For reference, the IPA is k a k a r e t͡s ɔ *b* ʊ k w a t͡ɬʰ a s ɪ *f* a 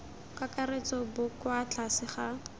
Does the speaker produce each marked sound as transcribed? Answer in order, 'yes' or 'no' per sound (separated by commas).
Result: yes, no